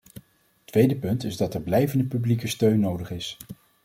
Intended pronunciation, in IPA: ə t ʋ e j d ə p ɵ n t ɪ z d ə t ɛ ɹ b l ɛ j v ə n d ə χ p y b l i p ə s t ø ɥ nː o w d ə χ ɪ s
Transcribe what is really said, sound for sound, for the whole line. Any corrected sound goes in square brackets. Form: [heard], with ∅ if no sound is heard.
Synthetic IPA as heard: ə t ʋ e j d ə p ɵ n t ɪ z d [ɑ] t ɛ ɹ b l ɛ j v ə n d ə [∅] p y b l i [k] ə s t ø ɥ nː o w d ə χ ɪ s